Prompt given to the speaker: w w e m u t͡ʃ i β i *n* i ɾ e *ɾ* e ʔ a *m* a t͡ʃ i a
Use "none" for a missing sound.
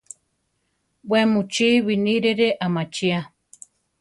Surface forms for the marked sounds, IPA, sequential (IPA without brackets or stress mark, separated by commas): n, ɾ, m